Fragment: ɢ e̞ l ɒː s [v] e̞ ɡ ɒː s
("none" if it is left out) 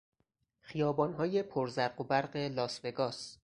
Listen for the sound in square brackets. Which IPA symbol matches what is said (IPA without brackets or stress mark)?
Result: v